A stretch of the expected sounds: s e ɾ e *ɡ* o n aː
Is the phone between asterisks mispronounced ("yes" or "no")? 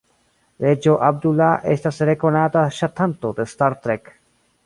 yes